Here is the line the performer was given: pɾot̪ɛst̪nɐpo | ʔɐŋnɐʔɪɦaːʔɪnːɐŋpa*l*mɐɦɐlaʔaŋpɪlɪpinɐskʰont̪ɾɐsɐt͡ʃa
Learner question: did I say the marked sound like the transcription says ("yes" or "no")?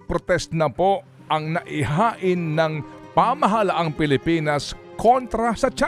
no